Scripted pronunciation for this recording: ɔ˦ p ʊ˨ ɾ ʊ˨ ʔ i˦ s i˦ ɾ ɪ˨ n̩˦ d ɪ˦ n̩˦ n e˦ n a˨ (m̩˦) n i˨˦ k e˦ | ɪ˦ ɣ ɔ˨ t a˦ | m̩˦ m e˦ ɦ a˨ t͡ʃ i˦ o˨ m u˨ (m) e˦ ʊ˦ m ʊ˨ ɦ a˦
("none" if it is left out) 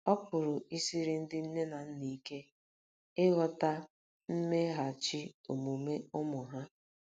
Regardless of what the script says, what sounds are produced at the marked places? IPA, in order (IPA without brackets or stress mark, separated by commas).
n̩˦, m